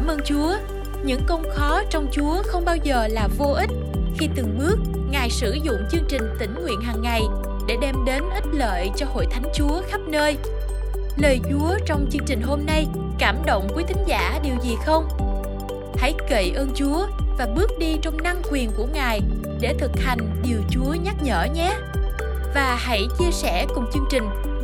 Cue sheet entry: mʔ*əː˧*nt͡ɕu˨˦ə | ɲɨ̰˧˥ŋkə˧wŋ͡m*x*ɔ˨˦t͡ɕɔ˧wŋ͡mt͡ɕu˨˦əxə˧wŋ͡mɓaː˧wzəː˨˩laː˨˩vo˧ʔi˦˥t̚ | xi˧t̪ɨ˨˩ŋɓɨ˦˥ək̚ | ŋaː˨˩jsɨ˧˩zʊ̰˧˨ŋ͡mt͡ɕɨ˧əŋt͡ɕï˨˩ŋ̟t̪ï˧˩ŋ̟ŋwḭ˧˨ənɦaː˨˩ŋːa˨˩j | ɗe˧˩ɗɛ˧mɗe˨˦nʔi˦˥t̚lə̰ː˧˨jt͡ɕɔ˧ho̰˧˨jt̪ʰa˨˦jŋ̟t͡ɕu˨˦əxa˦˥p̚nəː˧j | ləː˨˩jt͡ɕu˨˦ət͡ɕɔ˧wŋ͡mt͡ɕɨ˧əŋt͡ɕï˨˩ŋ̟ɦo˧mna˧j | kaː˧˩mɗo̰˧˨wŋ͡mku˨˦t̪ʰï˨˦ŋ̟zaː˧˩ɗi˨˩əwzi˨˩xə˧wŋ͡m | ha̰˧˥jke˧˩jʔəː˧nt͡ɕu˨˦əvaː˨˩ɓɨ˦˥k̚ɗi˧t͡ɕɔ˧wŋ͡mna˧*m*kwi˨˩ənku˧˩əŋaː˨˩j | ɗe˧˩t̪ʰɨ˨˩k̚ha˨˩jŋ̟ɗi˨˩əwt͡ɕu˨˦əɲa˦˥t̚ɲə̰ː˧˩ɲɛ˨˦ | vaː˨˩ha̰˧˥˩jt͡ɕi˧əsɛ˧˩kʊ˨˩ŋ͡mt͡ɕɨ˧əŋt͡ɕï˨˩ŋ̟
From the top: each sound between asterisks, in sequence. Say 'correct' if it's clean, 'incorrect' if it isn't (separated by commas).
correct, correct, incorrect